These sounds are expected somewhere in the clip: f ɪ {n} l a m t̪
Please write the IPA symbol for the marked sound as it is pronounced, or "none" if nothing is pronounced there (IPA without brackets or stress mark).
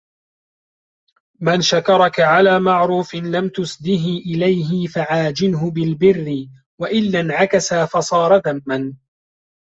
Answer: n